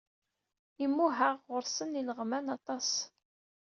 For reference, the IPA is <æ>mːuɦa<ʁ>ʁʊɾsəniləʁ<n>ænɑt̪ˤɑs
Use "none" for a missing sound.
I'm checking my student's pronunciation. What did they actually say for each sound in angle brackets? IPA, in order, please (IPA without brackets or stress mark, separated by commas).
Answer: i, ʁ, m